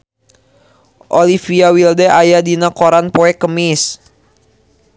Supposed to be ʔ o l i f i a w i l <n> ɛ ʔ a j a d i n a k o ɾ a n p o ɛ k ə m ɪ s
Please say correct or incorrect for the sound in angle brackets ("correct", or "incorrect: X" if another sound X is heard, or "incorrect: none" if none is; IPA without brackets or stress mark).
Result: incorrect: d